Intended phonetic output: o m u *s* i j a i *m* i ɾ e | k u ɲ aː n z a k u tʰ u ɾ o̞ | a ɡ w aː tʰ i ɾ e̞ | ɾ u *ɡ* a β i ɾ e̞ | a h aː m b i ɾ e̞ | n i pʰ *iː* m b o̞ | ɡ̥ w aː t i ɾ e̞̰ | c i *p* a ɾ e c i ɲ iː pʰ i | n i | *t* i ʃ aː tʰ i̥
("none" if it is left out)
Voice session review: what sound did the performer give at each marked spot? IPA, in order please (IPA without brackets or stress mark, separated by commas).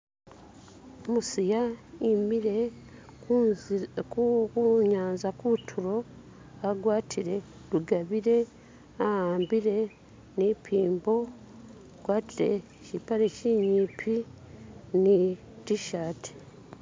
s, m, ɡ, iː, p, t